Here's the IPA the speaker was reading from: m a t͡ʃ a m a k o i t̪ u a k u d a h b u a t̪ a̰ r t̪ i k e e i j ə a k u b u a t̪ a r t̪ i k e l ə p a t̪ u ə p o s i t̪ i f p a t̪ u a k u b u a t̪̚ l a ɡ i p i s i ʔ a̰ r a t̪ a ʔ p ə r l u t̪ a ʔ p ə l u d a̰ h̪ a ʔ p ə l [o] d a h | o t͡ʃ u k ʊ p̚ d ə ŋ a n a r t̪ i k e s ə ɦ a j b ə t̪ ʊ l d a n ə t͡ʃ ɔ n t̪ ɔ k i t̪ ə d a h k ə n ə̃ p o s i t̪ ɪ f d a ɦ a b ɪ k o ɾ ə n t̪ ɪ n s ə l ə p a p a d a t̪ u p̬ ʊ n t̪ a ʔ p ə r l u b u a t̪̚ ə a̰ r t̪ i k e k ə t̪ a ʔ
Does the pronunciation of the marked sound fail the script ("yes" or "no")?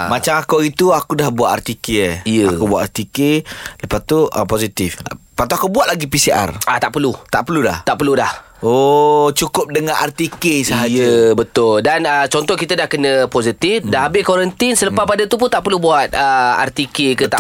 yes